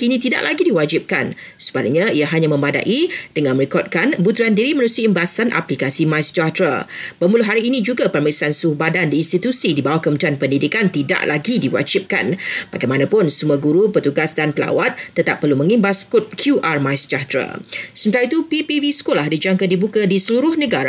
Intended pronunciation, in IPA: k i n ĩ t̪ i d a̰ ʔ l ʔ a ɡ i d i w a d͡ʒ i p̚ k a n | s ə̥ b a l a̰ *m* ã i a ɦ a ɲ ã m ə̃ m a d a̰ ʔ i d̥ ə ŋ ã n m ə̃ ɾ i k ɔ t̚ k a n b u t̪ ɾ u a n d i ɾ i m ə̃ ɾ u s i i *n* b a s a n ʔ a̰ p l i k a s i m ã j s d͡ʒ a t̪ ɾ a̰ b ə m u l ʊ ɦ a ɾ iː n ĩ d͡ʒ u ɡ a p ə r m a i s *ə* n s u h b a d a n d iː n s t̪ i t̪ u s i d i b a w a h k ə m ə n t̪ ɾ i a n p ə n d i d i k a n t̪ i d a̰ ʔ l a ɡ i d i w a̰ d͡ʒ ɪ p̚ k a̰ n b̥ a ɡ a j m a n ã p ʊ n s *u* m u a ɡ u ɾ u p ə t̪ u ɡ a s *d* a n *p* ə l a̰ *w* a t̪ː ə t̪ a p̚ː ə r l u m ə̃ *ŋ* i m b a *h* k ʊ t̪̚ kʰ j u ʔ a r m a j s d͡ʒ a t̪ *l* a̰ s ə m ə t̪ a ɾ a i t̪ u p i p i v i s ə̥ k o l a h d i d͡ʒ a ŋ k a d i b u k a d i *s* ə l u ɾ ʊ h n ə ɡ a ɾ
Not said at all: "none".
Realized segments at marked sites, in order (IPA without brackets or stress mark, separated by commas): ɲ, m, a, u, d, p, w, ŋ, s, ɾ, s